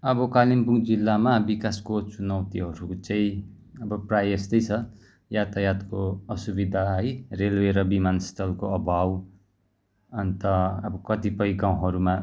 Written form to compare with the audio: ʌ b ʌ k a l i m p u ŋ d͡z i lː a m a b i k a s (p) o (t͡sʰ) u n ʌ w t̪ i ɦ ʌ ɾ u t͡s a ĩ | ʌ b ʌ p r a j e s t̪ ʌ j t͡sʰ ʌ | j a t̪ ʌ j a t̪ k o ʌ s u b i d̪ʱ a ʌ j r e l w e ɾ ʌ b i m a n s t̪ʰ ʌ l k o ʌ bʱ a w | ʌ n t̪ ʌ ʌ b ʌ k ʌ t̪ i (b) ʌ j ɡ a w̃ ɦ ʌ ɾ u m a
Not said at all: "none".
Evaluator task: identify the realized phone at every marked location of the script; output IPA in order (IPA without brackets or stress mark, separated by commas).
k, t͡s, p